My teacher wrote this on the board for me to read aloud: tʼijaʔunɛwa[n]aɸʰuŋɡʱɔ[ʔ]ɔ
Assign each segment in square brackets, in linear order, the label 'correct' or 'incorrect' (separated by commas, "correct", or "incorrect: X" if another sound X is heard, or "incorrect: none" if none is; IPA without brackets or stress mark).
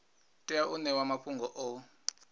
incorrect: m, correct